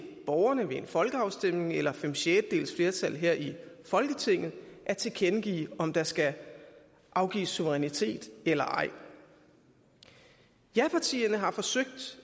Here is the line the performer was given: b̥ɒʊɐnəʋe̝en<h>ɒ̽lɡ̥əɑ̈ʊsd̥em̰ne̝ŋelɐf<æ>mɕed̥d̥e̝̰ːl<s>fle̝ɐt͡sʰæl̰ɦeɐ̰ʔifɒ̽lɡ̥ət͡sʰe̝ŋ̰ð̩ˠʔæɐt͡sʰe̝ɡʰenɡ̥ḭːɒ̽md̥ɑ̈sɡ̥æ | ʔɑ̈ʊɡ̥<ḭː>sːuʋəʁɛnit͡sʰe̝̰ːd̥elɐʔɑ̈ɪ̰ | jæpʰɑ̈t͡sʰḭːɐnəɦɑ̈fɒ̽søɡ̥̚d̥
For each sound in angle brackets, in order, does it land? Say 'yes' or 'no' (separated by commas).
no, no, yes, yes